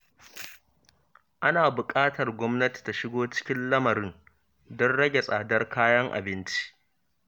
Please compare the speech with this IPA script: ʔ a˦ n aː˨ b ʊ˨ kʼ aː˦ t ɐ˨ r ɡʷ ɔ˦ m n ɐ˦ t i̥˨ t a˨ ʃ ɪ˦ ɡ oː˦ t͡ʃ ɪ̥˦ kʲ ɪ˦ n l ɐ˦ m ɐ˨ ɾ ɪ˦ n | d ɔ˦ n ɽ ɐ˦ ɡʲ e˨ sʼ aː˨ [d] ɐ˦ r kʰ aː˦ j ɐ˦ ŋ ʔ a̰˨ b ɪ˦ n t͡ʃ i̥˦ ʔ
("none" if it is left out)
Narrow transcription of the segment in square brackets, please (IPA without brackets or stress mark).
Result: d